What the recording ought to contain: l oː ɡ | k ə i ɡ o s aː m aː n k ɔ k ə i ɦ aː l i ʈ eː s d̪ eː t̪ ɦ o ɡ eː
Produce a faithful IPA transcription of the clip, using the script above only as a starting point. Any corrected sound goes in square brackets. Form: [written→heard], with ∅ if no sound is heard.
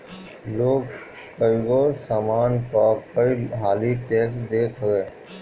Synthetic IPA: l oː ɡ | k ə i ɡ o s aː m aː n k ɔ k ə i ɦ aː l i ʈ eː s d̪ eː t̪ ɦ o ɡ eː